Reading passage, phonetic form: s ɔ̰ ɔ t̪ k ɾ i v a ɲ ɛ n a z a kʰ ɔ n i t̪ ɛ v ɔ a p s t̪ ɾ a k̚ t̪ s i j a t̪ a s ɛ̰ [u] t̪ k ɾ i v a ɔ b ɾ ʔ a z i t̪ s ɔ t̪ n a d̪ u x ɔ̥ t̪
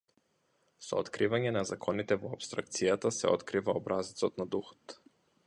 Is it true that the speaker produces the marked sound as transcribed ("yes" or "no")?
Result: no